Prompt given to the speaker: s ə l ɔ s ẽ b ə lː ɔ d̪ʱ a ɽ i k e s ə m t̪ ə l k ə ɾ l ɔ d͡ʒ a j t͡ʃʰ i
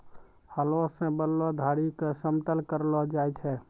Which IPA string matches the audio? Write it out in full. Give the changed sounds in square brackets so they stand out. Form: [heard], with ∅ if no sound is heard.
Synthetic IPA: [h] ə l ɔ s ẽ b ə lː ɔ d̪ʱ a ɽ i k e s ə m t̪ ə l k ə ɾ l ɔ d͡ʒ a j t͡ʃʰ [ɛ]